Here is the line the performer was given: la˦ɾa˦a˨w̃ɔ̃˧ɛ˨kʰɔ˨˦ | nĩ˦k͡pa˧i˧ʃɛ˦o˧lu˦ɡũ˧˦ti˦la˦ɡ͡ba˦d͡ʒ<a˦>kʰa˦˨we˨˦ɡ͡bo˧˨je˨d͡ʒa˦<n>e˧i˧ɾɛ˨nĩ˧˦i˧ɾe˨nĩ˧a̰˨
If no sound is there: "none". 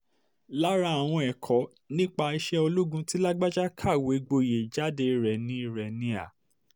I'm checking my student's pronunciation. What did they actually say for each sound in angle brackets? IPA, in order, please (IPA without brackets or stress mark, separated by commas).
a˦, d